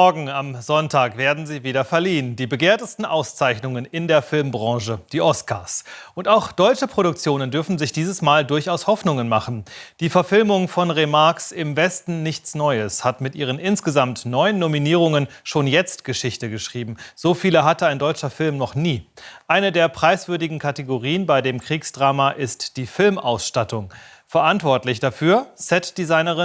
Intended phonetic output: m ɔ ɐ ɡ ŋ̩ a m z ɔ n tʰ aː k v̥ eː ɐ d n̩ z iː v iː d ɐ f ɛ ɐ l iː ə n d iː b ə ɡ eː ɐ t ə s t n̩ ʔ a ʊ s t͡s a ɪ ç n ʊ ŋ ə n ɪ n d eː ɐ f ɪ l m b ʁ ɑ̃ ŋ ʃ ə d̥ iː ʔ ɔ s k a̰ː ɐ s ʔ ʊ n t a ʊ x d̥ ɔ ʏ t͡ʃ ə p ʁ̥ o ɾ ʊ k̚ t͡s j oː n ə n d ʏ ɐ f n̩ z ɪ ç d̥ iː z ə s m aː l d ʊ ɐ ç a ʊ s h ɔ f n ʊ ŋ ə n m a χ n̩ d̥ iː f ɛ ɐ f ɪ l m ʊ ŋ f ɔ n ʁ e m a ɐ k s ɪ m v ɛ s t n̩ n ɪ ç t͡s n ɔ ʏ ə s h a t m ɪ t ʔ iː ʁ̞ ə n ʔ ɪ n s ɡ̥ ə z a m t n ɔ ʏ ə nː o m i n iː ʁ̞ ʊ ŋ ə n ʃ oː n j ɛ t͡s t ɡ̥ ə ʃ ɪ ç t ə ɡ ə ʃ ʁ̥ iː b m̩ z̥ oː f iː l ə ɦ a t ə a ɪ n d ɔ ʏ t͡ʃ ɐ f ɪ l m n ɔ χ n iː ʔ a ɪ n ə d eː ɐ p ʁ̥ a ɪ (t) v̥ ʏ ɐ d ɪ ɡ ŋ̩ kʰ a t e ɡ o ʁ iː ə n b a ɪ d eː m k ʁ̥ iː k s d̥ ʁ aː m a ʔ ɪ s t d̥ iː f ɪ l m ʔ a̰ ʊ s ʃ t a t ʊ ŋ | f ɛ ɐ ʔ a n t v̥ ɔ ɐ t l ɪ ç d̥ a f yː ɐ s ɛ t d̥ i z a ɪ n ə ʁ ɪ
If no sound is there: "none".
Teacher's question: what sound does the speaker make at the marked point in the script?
s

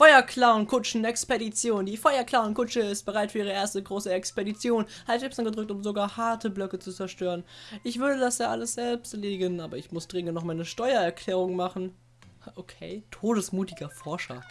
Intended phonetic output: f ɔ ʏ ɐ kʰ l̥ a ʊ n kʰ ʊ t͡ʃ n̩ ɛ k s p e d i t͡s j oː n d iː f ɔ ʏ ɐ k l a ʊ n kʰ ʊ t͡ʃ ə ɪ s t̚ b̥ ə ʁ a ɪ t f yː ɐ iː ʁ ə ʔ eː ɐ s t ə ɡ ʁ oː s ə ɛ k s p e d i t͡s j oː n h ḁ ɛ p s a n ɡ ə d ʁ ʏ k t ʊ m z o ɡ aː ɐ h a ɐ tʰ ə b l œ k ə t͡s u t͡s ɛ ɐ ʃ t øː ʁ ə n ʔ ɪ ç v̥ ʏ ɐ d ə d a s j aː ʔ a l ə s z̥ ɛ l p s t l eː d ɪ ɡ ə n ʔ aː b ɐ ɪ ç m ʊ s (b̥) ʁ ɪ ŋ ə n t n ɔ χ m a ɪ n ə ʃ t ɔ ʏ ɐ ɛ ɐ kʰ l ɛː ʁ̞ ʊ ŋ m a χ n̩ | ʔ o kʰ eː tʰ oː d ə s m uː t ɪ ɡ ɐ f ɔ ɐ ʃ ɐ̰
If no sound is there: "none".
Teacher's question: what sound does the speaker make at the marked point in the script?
d̥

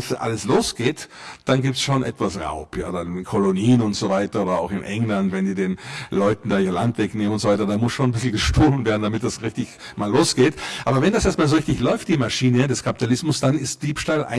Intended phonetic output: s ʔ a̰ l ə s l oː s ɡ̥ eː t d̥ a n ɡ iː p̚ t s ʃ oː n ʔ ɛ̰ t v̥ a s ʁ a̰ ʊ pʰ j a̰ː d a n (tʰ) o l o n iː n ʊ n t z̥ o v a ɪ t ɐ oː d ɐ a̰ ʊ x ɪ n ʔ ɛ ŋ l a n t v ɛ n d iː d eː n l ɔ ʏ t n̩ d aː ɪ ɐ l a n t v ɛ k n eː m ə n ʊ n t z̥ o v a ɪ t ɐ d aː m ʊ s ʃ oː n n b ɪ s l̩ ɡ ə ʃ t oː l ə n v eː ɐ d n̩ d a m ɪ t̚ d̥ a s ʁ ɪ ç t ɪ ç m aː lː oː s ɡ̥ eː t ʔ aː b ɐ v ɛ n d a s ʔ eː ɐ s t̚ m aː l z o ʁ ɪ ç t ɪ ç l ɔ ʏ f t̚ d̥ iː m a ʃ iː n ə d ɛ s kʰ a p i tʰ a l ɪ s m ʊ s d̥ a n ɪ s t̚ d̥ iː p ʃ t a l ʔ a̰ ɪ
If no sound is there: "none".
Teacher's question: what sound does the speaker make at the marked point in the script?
kʰ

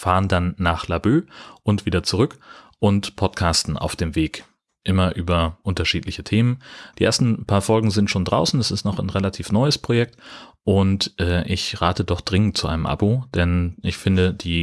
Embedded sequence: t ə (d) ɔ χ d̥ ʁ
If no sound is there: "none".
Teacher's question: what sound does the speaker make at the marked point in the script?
d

